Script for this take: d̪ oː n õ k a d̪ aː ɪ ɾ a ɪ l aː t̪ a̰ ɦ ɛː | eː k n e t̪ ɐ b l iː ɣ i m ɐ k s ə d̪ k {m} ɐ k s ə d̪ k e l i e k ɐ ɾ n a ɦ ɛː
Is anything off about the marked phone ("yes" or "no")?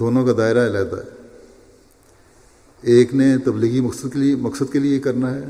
no